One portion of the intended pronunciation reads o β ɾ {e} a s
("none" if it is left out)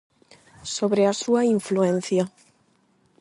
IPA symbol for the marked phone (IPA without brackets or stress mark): e